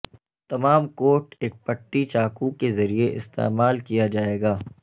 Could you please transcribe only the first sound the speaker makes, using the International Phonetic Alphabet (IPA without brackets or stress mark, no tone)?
t̪